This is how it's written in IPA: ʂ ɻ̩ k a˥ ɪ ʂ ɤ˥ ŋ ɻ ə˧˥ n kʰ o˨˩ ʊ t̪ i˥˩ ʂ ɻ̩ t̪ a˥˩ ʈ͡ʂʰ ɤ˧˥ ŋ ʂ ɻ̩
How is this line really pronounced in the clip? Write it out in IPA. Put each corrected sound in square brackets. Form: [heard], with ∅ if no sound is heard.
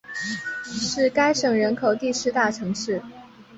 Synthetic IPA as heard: ʂ ɻ̩ k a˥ ɪ ʂ [ɤ˨˩] ŋ ɻ ə˧˥ n kʰ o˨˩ ʊ t̪ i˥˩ ʂ ɻ̩ t̪ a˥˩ ʈ͡ʂʰ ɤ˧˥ ŋ ʂ ɻ̩

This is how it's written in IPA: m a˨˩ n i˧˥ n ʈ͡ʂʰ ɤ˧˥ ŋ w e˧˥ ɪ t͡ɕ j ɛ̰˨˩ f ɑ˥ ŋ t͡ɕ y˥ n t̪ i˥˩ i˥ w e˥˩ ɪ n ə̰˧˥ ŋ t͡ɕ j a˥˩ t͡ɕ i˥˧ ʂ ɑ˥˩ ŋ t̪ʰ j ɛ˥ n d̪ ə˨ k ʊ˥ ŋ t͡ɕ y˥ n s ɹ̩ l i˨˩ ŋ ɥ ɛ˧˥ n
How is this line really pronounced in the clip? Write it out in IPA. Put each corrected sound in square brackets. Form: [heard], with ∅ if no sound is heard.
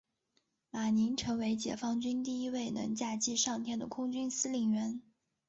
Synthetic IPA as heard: m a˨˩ n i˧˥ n ʈ͡ʂʰ ɤ˧˥ ŋ w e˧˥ ɪ t͡ɕ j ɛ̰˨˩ f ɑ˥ ŋ t͡ɕ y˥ n t̪ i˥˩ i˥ w e˥˩ ɪ n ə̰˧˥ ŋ t͡ɕ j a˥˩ t͡ɕ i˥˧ ʂ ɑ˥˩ ŋ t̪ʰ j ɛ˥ n d̪ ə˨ [kʰ] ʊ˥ ŋ t͡ɕ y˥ n s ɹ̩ l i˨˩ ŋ ɥ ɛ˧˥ n

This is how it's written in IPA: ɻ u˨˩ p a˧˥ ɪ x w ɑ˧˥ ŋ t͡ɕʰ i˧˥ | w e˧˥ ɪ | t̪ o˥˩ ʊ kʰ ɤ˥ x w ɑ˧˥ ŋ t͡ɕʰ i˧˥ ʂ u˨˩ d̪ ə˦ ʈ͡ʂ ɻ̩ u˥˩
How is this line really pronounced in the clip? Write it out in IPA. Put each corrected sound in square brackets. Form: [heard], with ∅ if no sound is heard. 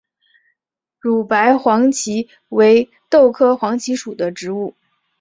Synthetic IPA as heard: ɻ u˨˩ p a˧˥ ɪ x w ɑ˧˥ ŋ t͡ɕʰ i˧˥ | w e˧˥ ɪ | t̪ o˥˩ ʊ kʰ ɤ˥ x w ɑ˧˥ ŋ t͡ɕʰ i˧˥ ʂ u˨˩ d̪ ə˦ ʈ͡ʂ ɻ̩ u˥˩

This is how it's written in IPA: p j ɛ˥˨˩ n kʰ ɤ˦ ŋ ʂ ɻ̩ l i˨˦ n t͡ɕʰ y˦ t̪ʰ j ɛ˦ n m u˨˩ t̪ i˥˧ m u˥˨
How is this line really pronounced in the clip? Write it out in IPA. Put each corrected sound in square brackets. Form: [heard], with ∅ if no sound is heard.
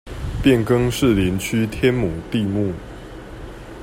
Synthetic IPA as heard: p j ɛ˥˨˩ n [k] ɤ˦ ŋ ʂ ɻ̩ l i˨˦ n t͡ɕʰ y˦ t̪ʰ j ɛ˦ n m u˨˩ t̪ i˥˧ m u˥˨

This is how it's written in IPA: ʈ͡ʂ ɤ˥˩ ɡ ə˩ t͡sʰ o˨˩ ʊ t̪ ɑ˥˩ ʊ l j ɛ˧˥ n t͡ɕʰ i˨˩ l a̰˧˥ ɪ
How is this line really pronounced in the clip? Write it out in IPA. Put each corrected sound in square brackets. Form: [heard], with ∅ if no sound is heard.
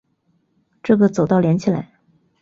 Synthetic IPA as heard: ʈ͡ʂ ɤ˥˩ ɡ ə˩ [t͡s] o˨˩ ʊ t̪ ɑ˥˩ ʊ l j ɛ˧˥ n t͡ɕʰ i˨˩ l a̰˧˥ ɪ

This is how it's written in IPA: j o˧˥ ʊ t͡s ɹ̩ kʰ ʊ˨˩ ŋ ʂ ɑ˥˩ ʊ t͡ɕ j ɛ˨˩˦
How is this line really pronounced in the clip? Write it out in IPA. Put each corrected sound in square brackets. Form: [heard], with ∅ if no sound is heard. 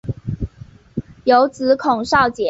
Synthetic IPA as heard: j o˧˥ ʊ t͡s ɹ̩ kʰ ʊ˨˩ ŋ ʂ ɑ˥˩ ʊ t͡ɕ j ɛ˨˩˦

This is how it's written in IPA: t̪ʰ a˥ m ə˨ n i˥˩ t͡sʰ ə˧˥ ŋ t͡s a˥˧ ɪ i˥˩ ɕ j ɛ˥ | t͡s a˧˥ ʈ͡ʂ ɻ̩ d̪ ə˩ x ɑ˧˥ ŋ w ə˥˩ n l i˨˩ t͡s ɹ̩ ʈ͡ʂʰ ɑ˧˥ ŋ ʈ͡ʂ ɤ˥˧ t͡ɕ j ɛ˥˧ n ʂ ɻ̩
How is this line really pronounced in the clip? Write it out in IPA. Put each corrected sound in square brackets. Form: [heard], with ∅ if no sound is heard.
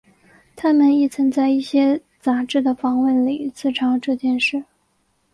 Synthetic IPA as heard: t̪ʰ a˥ m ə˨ n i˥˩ t͡sʰ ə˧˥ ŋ t͡s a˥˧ ɪ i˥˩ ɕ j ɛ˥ | t͡s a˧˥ ʈ͡ʂ ɻ̩ d̪ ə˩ [f] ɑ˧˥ ŋ w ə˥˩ n l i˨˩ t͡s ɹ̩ ʈ͡ʂʰ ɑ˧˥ ŋ ʈ͡ʂ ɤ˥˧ t͡ɕ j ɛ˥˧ n ʂ ɻ̩

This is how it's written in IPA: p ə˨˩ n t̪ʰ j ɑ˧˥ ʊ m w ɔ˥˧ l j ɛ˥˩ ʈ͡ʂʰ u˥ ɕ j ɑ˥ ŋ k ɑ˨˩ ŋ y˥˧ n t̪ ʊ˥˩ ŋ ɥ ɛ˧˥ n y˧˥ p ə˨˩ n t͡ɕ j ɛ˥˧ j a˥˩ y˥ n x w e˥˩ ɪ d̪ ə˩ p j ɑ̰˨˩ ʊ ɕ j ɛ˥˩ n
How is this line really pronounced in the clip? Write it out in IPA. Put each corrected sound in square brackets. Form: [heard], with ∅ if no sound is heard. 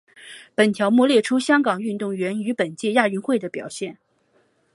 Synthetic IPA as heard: p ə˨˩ n t̪ʰ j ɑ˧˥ ʊ m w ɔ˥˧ l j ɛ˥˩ ʈ͡ʂʰ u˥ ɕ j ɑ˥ ŋ k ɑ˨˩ ŋ y˥˧ n t̪ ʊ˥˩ ŋ ɥ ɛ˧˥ n y˧˥ p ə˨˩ n t͡ɕ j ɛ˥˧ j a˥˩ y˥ n x w e˥˩ ɪ d̪ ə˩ p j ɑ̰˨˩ ʊ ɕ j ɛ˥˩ n

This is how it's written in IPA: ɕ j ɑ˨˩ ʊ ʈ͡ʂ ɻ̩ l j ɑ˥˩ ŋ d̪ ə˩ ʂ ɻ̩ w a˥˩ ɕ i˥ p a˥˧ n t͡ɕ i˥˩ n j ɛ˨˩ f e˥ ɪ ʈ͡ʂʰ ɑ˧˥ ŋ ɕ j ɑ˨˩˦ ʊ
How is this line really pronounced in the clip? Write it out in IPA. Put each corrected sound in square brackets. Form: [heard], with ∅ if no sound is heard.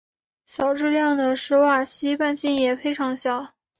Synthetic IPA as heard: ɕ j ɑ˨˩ ʊ ʈ͡ʂ ɻ̩ l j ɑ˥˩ ŋ d̪ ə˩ ʂ ɻ̩ w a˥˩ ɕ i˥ p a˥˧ n t͡ɕ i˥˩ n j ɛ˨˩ f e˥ ɪ ʈ͡ʂʰ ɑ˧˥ ŋ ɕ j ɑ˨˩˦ ʊ

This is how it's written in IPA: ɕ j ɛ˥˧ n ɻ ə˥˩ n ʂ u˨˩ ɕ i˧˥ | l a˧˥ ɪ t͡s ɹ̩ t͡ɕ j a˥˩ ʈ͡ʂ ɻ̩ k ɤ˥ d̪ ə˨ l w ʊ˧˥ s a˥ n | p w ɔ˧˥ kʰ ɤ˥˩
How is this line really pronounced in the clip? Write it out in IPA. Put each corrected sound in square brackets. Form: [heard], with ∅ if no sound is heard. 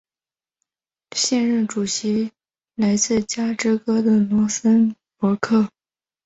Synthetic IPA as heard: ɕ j ɛ˥˧ n ɻ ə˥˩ n [ʈ͡ʂ] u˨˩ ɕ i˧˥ | l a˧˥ ɪ t͡s ɹ̩ t͡ɕ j [a˥] ʈ͡ʂ ɻ̩ k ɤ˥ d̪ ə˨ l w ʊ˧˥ s [ə˥] n | p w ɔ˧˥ kʰ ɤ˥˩

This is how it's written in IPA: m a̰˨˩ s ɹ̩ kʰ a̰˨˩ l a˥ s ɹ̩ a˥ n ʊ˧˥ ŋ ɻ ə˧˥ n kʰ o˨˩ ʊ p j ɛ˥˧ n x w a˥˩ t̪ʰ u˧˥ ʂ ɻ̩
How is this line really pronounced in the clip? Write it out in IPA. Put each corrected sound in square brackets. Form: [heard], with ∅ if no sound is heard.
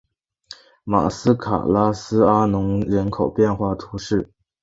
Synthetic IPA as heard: m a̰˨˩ s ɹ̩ kʰ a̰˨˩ l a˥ s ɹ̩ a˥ n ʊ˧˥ ŋ ɻ ə˧˥ n kʰ o˨˩ ʊ p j ɛ˥˧ n x w a˥˩ t̪ʰ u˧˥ ʂ ɻ̩

